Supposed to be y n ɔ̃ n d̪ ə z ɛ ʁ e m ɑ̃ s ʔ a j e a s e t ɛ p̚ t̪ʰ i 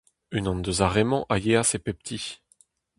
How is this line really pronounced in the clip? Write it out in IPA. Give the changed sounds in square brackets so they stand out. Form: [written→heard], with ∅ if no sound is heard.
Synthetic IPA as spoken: y n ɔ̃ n d̪ ə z [ɛ→a] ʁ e m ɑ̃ [s→∅] ʔ a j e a s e [t→p] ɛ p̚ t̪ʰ i